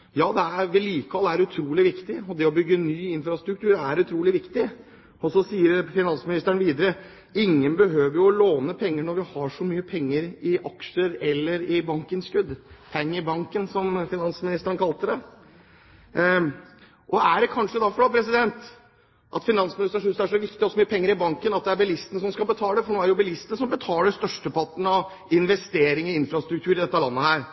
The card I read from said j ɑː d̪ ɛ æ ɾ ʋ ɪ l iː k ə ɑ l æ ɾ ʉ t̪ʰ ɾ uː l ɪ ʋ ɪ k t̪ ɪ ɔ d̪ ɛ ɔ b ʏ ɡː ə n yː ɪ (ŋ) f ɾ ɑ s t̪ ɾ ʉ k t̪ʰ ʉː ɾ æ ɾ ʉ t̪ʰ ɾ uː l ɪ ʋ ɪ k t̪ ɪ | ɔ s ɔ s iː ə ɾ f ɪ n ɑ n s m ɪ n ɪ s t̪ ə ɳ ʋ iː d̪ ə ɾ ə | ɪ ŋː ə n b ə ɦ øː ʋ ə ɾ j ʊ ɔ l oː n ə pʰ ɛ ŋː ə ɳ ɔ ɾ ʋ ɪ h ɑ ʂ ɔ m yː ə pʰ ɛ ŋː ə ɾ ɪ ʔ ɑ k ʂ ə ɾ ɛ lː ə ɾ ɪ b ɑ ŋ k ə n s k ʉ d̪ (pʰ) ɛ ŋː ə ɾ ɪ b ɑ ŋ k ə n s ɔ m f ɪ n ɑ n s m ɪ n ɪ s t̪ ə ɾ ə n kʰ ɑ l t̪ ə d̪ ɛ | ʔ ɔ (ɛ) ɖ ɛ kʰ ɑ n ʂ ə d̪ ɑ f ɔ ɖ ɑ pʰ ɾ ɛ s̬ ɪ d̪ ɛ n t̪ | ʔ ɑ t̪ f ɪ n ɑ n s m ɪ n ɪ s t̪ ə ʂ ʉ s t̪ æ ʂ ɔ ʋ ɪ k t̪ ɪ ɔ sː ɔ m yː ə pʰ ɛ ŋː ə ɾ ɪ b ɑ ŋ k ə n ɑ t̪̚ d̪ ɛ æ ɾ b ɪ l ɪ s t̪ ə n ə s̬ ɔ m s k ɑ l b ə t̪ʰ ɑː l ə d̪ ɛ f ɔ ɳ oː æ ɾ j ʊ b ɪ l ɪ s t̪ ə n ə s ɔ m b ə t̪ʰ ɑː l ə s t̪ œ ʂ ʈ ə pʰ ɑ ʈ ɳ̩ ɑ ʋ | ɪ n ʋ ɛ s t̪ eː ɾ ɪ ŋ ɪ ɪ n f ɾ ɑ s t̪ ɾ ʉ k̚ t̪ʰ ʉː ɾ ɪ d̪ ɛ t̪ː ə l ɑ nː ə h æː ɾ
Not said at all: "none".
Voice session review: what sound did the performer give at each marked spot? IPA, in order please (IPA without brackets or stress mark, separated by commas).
n, pʰ, æ